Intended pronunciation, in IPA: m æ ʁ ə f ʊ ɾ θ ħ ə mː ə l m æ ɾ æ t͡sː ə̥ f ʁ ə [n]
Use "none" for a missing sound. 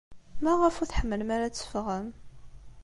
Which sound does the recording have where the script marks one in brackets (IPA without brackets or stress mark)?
m